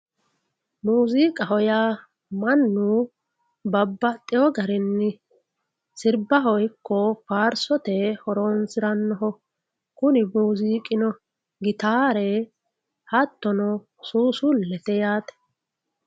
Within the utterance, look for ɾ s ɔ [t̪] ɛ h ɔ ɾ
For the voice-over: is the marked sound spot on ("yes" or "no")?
yes